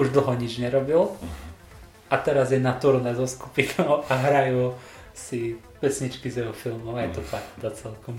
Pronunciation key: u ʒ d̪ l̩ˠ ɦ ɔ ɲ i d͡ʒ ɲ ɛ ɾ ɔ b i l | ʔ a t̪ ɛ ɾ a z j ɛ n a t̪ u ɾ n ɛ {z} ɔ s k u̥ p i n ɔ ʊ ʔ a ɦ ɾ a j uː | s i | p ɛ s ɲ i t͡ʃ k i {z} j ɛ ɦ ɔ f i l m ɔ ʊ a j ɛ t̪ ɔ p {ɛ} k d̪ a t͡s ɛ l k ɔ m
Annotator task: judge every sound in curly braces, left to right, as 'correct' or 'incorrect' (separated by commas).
correct, correct, incorrect